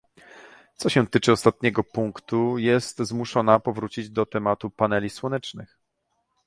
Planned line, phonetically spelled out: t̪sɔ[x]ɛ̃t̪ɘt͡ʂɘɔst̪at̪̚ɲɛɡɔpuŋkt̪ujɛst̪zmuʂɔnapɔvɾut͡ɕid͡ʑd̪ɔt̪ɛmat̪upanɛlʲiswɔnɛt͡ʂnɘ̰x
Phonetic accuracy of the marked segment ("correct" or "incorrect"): incorrect